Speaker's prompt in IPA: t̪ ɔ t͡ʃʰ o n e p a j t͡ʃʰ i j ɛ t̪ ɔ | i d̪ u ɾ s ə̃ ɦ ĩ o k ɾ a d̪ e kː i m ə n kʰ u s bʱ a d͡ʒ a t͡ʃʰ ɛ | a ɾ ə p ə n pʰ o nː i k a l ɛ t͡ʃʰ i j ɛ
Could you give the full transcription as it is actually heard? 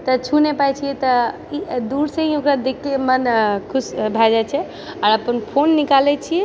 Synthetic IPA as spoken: t̪ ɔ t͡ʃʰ u n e p a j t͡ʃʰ i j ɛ t̪ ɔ | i d̪ u ɾ s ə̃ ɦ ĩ o k ɾ a d̪ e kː e m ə n kʰ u s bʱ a d͡ʒ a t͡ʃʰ ɛ | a ɾ ə p ə n pʰ o nː i k a l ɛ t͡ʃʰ i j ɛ